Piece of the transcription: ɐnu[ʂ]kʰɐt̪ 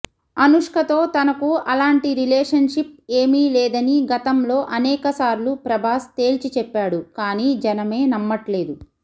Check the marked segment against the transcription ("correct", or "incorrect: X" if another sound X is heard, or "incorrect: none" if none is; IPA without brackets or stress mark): correct